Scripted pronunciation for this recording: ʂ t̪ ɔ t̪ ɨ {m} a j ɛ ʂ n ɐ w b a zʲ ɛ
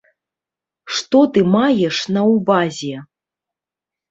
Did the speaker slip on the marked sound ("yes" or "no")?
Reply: no